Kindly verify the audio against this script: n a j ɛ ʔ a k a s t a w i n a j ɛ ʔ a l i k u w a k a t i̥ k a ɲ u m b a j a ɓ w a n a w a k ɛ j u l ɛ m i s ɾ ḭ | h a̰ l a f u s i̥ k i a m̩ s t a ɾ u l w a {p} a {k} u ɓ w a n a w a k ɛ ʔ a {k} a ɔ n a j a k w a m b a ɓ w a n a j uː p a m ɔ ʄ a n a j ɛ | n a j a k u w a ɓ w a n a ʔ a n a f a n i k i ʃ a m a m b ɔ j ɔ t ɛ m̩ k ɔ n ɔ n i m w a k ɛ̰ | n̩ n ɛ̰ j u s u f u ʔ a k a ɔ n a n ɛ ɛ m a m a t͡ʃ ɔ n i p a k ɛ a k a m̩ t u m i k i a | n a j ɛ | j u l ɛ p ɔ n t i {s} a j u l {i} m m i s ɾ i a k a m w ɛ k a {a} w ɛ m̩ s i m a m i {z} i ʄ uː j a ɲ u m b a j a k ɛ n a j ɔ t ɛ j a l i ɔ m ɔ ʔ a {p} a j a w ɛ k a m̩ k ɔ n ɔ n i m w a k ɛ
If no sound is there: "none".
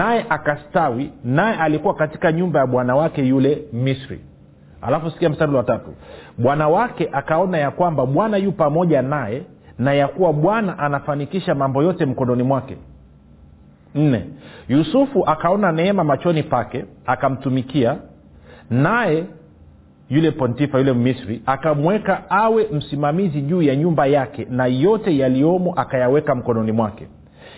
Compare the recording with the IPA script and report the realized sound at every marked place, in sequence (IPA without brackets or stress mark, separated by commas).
t, t, k, f, ɛ, a, z, k